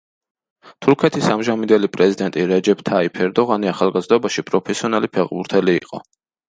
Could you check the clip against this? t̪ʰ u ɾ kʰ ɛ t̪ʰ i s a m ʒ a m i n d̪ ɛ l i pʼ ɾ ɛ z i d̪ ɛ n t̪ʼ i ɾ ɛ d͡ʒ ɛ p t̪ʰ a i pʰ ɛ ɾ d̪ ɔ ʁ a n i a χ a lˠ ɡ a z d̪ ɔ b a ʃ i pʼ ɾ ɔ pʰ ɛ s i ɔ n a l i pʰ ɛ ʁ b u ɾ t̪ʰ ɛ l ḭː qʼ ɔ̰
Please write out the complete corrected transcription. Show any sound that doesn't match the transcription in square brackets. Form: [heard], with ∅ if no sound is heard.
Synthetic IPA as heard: t̪ʰ u ɾ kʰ ɛ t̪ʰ i s a m ʒ a m i n d̪ ɛ l i pʼ ɾ ɛ z i d̪ ɛ n t̪ʼ i ɾ ɛ d͡ʒ ɛ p t̪ʰ a i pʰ ɛ ɾ d̪ ɔ ʁ a n i a χ a lˠ ɡ a z d̪ ɔ b a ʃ i pʼ ɾ ɔ pʰ ɛ s i ɔ n a l i pʰ ɛ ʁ b u ɾ t̪ʰ ɛ l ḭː qʼ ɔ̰

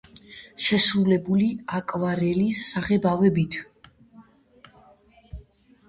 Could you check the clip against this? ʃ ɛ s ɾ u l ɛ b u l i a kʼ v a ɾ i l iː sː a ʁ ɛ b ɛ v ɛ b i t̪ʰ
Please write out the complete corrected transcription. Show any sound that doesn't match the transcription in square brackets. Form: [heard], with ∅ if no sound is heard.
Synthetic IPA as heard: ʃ ɛ s ɾ u l ɛ b u l i a kʼ v a ɾ [ɛ] l [i] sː a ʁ ɛ b [a] v ɛ b i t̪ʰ

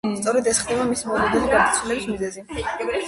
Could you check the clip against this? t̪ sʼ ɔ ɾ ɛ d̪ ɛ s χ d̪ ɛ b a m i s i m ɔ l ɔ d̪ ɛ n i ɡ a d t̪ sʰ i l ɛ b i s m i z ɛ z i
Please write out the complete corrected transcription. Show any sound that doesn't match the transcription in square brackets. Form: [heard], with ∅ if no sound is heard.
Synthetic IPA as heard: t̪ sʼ ɔ ɾ ɛ d̪ ɛ s χ d̪ ɛ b a m i s i m ɔ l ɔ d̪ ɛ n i ɡ a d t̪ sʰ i l ɛ b i s m i z ɛ z i

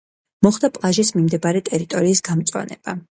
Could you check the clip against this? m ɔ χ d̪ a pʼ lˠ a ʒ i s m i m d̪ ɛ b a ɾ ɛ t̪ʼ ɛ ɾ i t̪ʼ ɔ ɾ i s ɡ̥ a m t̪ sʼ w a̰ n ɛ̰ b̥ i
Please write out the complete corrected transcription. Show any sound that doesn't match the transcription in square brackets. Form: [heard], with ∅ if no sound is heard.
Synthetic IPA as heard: m ɔ χ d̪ a pʼ lˠ a ʒ i s m i m d̪ ɛ b a ɾ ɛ t̪ʼ ɛ ɾ i t̪ʼ ɔ ɾ [iː] s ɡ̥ a m t̪ sʼ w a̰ n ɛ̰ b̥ [a]

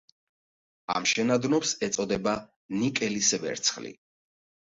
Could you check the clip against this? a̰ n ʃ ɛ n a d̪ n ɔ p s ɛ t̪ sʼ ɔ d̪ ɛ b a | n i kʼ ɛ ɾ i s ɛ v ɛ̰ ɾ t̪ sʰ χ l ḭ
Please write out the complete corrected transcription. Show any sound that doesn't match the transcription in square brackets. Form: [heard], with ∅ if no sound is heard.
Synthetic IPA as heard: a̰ [m] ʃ ɛ n a d̪ n ɔ p s ɛ t̪ sʼ ɔ d̪ ɛ b a | n i kʼ ɛ [l] i s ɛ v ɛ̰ ɾ t̪ sʰ χ l ḭ

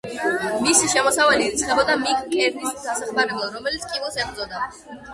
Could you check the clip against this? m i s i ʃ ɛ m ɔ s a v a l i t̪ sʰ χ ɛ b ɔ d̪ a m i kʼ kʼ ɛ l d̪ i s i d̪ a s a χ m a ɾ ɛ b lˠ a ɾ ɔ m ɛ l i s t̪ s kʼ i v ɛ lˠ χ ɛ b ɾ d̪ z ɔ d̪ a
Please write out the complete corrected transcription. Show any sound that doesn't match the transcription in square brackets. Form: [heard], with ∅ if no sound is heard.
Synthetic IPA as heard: m i s i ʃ ɛ m ɔ s a v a l i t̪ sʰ χ ɛ b ɔ d̪ a m i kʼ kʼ ɛ [ɾ] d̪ i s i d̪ a s a χ m a ɾ ɛ b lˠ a ɾ ɔ m ɛ l i [∅] t̪ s kʼ i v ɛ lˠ [s] ɛ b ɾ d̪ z ɔ d̪ a

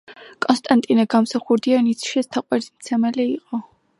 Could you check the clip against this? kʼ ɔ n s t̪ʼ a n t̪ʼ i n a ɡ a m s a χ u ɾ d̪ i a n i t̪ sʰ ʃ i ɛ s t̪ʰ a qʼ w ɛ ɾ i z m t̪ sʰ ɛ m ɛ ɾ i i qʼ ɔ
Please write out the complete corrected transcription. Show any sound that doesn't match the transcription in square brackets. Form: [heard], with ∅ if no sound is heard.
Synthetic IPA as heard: kʼ ɔ n s t̪ʼ a n t̪ʼ i n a ɡ a m s a χ u ɾ d̪ i a n i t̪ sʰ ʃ i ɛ s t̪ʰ a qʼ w ɛ ɾ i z m t̪ sʰ ɛ m ɛ [l] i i qʼ ɔ

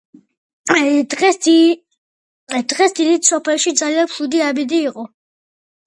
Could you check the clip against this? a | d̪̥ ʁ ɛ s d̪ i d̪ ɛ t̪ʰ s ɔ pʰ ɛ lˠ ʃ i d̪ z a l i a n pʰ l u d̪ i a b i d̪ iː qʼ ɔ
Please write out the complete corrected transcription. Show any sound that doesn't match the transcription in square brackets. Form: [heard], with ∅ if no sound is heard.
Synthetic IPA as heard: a | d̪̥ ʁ ɛ s d̪ i d̪ [i] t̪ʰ s ɔ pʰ ɛ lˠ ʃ i d̪ z a l i a n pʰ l u d̪ i a b i d̪ iː qʼ ɔ

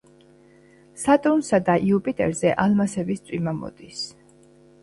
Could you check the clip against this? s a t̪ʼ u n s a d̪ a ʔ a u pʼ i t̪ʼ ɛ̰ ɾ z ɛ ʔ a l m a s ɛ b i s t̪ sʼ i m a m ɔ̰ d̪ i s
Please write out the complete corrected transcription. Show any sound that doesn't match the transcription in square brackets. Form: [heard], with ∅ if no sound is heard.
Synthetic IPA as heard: s a t̪ʼ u n s a d̪ a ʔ [i] u pʼ i t̪ʼ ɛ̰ ɾ z ɛ ʔ a l m a s ɛ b i s t̪ sʼ i m a m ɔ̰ d̪ i s

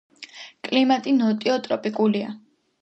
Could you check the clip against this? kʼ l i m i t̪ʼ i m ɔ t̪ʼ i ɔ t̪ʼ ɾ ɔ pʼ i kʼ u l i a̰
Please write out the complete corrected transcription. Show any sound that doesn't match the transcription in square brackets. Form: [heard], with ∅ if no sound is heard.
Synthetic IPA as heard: kʼ l i m [a] t̪ʼ i [n] ɔ t̪ʼ i ɔ t̪ʼ ɾ ɔ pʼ i kʼ u l i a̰

